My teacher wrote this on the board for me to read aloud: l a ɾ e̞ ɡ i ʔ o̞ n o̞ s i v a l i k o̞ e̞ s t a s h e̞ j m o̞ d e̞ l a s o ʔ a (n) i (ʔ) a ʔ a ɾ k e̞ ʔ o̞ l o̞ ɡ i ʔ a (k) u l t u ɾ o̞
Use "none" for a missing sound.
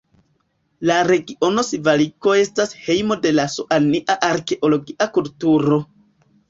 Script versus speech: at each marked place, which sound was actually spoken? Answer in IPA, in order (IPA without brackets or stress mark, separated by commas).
n, ʔ, k